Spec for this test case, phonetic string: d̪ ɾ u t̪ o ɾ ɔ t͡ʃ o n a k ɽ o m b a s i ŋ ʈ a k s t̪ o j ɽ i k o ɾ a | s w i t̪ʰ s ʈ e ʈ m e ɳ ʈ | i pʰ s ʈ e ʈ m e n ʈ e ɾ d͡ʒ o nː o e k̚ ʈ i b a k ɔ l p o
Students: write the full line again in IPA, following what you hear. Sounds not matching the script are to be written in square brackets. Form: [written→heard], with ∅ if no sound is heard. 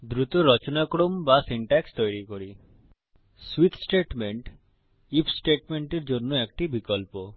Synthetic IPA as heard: d̪ ɾ u t̪ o ɾ ɔ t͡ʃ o n a k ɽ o m b a s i [ŋ→ɳ] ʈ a k s t̪ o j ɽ i k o ɾ [a→i] | s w i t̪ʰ s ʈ e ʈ m e ɳ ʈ | i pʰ s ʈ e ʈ m e [n→ɳ] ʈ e ɾ d͡ʒ o nː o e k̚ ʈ i b [a→i] k ɔ l p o